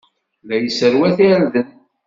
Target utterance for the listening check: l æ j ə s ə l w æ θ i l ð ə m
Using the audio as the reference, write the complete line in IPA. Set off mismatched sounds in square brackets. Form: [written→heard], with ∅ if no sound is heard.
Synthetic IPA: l æ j ə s ə [l→ɾ] w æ θ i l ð ə [m→n]